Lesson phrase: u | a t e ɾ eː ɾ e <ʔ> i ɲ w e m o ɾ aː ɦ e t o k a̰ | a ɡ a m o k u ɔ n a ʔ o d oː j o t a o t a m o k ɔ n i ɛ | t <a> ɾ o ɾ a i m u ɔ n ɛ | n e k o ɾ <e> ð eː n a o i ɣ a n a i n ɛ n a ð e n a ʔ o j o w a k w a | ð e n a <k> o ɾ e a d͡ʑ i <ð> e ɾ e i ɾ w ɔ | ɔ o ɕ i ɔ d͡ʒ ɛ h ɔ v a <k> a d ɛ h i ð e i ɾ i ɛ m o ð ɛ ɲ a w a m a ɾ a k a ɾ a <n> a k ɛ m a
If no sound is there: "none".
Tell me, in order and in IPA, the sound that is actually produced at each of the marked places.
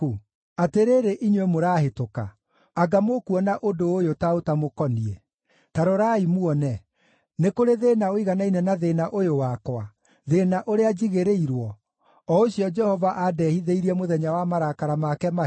ʔ, a, e, ʔ, ɣ, ʔ, m

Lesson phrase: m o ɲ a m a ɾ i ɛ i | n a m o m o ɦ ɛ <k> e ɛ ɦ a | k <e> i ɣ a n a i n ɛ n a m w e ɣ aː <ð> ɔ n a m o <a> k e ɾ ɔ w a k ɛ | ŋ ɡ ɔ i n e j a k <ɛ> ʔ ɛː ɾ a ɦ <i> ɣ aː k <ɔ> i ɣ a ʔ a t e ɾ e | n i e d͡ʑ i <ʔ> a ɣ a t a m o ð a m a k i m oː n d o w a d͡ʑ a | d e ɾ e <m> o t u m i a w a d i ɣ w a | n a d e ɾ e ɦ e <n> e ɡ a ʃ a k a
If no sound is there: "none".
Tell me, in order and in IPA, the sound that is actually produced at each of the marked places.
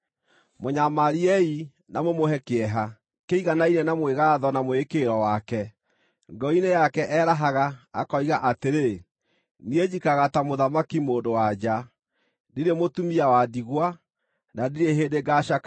k, e, ð, e, ɛ, a, ɔ, k, m, d

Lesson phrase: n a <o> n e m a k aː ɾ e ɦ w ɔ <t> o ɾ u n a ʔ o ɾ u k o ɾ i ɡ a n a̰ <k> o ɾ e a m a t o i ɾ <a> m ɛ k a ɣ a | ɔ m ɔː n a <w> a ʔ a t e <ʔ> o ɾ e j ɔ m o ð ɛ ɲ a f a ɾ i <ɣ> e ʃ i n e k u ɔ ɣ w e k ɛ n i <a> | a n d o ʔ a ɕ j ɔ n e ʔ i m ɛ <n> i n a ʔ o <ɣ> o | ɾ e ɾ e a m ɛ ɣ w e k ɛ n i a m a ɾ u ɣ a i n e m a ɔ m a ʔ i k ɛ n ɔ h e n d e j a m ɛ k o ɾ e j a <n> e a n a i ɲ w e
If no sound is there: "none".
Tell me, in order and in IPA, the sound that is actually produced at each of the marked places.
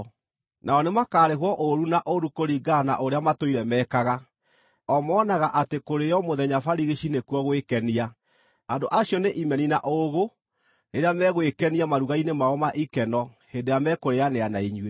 ɔ, ʔ, ʔ, ɛ, ɣ, k, ɣ, a, n, ɣ, n

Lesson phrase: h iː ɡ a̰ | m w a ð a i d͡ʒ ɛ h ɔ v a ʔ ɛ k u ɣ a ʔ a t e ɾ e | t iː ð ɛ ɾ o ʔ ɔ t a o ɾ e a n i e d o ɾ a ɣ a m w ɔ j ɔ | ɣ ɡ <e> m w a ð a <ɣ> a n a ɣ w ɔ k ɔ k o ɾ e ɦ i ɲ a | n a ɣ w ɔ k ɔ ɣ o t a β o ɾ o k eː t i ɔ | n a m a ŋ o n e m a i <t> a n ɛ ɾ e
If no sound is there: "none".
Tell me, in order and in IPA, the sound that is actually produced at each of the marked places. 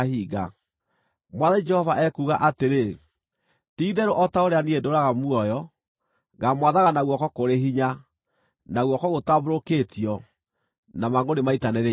a, ɣ, t

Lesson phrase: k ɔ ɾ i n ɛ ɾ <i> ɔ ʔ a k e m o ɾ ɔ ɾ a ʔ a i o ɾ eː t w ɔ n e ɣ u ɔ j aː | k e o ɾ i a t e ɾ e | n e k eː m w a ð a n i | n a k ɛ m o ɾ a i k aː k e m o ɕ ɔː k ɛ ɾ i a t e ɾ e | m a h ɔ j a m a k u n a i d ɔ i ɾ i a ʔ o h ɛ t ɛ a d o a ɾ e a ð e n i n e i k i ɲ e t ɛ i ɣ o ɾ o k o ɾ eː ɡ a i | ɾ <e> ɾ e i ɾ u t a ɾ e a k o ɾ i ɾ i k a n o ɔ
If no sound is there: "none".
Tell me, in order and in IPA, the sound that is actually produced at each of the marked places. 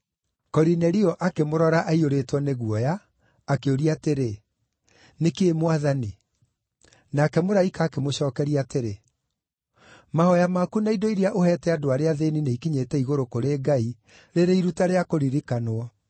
i, e

